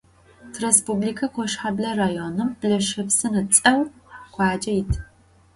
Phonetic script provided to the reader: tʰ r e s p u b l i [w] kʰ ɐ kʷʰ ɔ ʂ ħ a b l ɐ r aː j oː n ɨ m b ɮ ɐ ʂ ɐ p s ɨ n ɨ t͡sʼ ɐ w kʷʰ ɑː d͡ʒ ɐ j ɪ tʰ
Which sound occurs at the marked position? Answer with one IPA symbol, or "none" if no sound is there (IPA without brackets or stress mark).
none